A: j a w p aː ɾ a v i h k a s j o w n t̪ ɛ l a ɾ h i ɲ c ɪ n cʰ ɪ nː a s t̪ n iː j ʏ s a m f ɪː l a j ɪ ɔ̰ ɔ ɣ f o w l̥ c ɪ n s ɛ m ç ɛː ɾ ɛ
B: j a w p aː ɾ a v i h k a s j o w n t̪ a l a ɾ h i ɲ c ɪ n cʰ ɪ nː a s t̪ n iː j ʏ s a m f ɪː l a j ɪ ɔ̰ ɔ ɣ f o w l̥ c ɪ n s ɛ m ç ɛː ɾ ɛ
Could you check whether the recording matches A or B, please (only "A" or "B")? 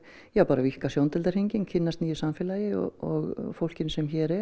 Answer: A